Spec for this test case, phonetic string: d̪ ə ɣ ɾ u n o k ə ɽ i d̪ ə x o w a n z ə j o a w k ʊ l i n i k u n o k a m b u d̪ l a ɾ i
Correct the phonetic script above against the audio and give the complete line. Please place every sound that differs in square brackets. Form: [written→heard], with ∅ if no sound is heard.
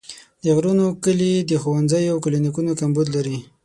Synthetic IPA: d̪ ə ɣ ɾ u n o k ə [ɽ→l] i d̪ ə x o w a n z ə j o a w k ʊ l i n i k u n o k a m b u d̪ l a ɾ i